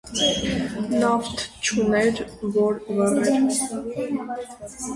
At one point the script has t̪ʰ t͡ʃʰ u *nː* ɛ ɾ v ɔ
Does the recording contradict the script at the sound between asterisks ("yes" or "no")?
yes